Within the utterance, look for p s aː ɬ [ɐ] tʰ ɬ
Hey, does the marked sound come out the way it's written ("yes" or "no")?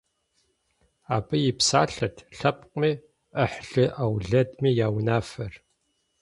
yes